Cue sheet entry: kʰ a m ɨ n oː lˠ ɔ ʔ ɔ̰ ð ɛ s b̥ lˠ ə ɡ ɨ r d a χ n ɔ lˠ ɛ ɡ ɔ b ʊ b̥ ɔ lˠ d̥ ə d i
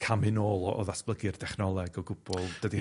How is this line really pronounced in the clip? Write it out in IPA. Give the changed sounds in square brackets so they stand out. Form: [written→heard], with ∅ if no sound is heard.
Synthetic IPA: kʰ a m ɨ n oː lˠ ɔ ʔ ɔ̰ ð [ɛ→a] s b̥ lˠ ə ɡ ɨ r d [a→ɛ] χ n ɔ lˠ ɛ ɡ ɔ [b→ɡ] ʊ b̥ ɔ lˠ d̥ ə d i